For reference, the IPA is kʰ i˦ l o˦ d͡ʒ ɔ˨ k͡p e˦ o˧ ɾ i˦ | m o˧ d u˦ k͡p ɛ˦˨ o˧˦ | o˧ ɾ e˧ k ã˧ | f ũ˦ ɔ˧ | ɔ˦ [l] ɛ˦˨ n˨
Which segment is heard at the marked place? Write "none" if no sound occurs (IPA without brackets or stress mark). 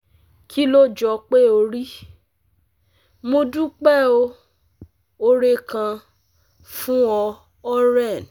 ɾ